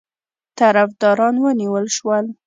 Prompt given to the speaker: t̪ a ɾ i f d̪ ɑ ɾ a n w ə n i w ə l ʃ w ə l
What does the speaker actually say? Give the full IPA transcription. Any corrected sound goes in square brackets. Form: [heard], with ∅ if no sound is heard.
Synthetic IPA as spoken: t̪ a ɾ [a] f d̪ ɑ ɾ [ɑ] n w ə n i w ə l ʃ w ə l